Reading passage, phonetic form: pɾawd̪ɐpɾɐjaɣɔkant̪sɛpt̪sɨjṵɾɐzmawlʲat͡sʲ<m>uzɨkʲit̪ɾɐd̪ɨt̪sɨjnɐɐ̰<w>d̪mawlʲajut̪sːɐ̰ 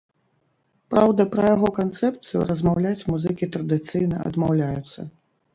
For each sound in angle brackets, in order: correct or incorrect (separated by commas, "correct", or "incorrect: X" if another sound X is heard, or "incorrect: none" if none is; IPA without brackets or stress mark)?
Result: correct, incorrect: none